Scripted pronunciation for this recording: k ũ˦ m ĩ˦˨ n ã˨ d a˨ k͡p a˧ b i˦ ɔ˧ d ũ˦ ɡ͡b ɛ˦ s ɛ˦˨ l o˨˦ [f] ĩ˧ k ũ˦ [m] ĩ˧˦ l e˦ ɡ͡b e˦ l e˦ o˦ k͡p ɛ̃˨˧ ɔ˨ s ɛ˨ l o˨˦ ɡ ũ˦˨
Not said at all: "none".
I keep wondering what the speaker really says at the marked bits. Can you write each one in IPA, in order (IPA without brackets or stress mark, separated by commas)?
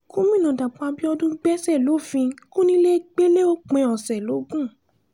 f, n